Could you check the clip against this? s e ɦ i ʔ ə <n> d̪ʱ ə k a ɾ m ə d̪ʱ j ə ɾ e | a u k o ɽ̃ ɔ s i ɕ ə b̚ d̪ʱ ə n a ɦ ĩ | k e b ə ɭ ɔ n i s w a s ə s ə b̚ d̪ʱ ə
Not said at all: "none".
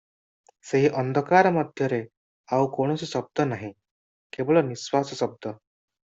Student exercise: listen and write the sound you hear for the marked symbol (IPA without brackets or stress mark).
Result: n